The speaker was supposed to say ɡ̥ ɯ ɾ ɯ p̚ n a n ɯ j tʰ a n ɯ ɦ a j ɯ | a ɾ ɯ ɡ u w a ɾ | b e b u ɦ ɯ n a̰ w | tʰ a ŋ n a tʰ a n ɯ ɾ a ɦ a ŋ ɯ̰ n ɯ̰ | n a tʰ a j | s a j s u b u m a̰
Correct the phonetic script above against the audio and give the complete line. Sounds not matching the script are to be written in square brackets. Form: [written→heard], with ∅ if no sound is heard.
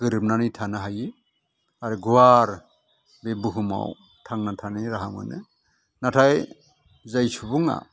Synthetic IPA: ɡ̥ ɯ ɾ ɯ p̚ n a n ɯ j tʰ a n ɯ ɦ a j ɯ | a ɾ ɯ ɡ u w a ɾ | b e b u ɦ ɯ [n→m] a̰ w | tʰ a ŋ n a tʰ a n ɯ ɾ a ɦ a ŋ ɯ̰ n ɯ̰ | n a tʰ a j | [s→z] a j s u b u [m→ŋ] a̰